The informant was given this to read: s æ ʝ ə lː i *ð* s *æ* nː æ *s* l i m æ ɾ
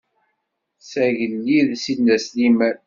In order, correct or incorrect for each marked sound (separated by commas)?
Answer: correct, incorrect, correct